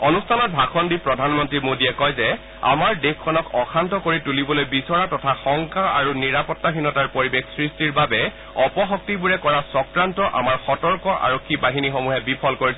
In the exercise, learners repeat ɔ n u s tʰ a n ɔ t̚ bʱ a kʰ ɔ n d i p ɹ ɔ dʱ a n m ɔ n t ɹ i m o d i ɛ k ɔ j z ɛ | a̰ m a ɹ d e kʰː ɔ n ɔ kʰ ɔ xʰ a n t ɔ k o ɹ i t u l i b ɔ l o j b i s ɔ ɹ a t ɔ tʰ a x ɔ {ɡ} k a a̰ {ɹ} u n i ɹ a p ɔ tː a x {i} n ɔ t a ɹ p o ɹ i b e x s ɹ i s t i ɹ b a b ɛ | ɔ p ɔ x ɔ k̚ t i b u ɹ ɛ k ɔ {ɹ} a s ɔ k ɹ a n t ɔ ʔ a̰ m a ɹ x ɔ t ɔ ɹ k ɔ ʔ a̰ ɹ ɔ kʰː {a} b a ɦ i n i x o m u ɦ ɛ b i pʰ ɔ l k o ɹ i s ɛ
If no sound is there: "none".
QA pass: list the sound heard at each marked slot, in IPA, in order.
ŋ, ɹ, i, ɹ, i

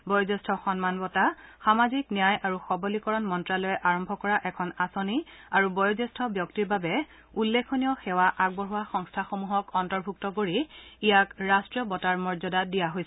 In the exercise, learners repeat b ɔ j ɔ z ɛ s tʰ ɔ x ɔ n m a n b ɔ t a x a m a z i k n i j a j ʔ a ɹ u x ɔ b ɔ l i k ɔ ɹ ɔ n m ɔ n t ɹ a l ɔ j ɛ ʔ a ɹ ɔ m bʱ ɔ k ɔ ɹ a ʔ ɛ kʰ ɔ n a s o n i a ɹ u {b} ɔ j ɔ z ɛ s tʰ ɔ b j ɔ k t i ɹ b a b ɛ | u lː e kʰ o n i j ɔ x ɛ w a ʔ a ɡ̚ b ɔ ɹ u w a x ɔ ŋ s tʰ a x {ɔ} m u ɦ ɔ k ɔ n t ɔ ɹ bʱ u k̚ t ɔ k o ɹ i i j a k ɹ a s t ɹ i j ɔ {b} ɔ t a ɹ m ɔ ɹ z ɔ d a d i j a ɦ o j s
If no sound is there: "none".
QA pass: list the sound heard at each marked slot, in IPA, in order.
b, o, b

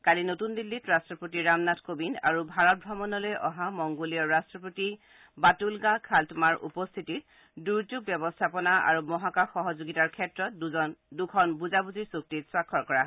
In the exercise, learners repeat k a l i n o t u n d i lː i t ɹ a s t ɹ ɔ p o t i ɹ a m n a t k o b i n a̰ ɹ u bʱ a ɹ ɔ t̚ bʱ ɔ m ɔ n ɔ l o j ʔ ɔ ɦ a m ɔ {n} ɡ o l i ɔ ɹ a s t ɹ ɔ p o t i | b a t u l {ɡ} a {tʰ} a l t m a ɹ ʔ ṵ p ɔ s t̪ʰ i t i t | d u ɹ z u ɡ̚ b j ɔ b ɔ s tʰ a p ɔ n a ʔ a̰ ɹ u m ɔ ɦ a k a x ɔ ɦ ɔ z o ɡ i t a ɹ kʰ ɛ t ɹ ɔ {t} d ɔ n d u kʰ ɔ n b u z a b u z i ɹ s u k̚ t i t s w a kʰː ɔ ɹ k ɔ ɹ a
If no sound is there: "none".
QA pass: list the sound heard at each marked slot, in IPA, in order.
ŋ, ɡ, kʰ, t

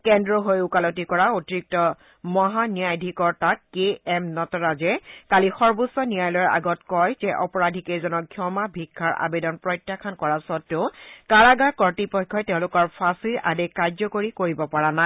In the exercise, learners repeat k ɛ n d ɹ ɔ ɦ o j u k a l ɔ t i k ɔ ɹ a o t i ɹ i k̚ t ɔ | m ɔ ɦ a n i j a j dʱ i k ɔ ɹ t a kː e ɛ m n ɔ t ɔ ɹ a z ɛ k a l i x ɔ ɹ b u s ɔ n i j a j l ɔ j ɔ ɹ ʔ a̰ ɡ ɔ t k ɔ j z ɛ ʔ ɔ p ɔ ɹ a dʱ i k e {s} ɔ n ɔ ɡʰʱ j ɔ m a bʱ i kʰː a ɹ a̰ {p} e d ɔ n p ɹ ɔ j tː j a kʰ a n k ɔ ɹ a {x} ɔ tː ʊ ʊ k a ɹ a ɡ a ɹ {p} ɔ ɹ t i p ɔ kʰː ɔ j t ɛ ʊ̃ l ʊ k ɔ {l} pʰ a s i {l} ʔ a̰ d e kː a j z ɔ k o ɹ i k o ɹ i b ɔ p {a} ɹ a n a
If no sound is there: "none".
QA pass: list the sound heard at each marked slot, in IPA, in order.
z, b, s, k, ɹ, ɹ, a

